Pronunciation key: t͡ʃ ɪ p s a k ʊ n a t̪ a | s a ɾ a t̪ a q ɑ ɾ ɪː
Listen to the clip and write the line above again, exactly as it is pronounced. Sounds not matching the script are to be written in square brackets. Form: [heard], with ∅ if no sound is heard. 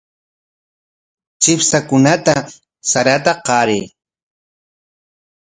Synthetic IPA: t͡ʃ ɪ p s a k ʊ n a t̪ a | s a ɾ a t̪ a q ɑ ɾ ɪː

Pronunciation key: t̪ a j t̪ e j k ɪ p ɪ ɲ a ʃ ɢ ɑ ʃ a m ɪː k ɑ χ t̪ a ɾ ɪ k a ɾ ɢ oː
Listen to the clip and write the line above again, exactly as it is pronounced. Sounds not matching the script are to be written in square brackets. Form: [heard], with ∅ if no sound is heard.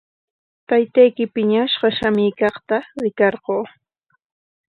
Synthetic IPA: t̪ a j t̪ [a] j k ɪ p ɪ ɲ a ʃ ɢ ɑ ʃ a m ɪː k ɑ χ t̪ a ɾ ɪ k [ɑ] ɾ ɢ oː

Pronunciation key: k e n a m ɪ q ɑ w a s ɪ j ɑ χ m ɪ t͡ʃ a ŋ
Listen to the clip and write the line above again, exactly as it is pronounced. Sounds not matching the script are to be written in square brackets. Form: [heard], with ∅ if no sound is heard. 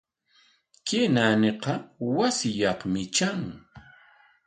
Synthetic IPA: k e n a [n] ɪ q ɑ w a s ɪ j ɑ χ m ɪ t͡ʃ a ŋ

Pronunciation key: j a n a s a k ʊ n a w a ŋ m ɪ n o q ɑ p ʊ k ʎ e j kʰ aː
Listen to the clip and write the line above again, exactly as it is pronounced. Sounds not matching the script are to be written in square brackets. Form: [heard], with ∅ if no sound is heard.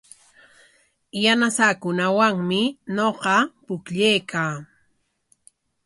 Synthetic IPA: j a n a s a k ʊ n a w a ŋ m ɪ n o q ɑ p ʊ k ʎ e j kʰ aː

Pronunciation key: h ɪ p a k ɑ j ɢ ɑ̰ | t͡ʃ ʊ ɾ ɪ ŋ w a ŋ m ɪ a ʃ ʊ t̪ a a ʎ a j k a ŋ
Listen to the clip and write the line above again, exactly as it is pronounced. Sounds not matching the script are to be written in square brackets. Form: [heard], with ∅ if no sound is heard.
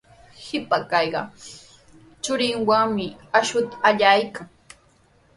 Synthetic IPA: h ɪ p a k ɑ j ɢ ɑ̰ | t͡ʃ ʊ ɾ ɪ ŋ w a ŋ m ɪ a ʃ ʊ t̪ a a ʎ a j k a ŋ

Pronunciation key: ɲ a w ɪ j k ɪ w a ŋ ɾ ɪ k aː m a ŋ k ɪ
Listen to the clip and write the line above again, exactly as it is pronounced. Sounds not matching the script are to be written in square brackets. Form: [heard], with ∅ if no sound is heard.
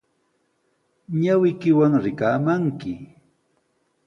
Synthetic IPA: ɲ a w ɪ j k ɪ w a ŋ ɾ ɪ k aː m a ŋ k ɪ

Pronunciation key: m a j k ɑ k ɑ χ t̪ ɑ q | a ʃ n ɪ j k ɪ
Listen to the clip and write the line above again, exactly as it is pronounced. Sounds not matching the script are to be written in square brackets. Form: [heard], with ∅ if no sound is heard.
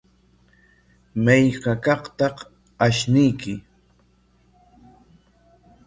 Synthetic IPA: m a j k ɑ k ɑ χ t̪ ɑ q | a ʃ n ɪ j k ɪ

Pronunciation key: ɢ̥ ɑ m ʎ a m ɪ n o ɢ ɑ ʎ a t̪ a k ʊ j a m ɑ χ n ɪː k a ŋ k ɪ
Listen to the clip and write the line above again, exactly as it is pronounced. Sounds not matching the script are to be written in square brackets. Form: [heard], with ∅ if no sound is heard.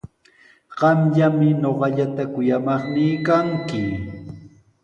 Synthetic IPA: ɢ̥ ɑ m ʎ a m ɪ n o ɢ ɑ ʎ a t̪ a k ʊ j a m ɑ χ n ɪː k a ŋ k ɪ

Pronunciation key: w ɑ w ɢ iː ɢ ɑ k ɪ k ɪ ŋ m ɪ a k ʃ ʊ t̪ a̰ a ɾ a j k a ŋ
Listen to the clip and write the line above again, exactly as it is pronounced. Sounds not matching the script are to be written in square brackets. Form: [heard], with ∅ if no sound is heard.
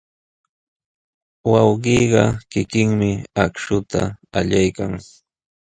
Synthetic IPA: w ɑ w ɢ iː ɢ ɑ k ɪ k ɪ ŋ m ɪ a k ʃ ʊ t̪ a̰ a [ʎ] a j k a ŋ

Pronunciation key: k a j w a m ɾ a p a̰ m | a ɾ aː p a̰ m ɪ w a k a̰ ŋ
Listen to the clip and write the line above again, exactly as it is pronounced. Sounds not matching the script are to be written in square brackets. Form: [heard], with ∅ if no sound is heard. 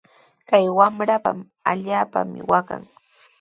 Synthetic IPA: k a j w a m ɾ a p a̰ m | a [ʎ] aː p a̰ m ɪ w a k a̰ ŋ

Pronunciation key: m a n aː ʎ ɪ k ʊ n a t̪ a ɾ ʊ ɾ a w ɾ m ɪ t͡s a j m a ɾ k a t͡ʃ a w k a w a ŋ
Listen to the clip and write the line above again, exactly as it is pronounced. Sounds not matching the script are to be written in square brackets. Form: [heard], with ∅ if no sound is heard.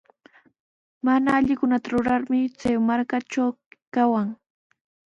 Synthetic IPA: m a n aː ʎ ɪ k ʊ n a t̪ a ɾ ʊ ɾ a [∅] ɾ m ɪ t͡s a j m a ɾ k a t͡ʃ a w k a w a ŋ

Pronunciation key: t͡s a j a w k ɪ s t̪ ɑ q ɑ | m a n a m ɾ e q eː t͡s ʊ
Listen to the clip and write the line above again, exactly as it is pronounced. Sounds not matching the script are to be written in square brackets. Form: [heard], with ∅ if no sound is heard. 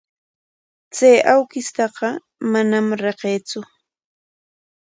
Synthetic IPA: t͡s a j a w k ɪ s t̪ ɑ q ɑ | m a n a m ɾ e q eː t͡s ʊ

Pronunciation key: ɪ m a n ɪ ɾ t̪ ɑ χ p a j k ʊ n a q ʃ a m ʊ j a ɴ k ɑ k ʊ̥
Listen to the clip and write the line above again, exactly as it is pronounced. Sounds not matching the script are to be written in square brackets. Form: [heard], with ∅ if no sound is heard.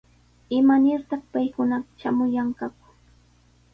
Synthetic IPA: ɪ m a n ɪ ɾ t̪ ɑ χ p a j k ʊ n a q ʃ a m ʊ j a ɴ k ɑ k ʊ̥

